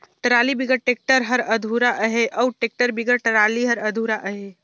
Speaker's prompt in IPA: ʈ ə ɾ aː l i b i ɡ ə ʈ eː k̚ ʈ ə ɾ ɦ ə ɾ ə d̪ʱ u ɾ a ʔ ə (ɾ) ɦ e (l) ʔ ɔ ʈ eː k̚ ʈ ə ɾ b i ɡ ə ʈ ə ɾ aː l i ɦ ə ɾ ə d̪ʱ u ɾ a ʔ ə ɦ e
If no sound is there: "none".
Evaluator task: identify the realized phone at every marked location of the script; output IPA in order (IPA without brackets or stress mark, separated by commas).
none, none